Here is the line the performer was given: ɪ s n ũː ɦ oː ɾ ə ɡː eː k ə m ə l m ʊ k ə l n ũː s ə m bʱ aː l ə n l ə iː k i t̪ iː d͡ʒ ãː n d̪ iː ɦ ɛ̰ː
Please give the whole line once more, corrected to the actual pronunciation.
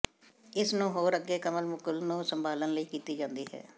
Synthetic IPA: ɪ s n ũː ɦ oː ɾ ə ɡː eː k ə m ə l m ʊ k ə l n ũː s ə m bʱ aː l ə n l ə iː k iː t̪ iː d͡ʒ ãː n d̪ iː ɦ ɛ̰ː